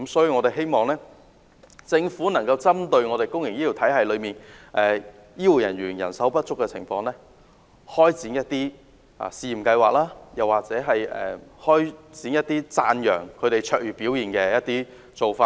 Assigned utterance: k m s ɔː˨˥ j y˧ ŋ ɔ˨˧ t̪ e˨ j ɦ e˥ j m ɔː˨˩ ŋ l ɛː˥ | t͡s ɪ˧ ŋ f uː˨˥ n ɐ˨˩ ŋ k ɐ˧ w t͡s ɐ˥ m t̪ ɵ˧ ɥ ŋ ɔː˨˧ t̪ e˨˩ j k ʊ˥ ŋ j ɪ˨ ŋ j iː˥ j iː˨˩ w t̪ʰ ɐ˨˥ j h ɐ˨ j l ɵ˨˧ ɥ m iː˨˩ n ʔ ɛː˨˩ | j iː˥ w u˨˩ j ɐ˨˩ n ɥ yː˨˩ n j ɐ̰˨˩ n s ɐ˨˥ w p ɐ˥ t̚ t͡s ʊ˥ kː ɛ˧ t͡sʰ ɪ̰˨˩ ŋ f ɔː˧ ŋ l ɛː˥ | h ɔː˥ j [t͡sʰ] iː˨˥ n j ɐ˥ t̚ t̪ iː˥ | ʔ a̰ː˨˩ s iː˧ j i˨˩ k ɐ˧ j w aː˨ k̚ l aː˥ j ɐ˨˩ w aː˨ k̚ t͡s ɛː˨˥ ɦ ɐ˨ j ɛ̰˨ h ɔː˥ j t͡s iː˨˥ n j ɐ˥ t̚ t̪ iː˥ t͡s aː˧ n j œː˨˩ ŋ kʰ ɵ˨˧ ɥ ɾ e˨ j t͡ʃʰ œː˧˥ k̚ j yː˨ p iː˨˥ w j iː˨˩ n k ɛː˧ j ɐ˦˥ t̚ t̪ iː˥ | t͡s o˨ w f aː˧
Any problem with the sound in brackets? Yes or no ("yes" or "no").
yes